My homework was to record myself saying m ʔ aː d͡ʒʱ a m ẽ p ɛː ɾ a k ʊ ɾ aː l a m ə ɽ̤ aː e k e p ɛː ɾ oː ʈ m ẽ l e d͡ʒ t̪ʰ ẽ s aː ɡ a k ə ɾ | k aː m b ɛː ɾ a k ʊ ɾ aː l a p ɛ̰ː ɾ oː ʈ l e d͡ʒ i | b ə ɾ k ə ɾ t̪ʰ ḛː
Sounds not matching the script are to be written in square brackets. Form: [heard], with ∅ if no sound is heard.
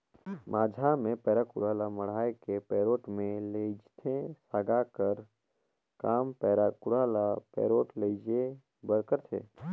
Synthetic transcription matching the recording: m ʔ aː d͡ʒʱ a m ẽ p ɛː ɾ a k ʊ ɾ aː l a m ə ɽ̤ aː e k e p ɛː ɾ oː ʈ m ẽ l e d͡ʒ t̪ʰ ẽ s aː ɡ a k ə ɾ | k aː m [p] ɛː ɾ a k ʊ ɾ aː l a p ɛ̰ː ɾ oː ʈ l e d͡ʒ [e] | b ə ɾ k ə ɾ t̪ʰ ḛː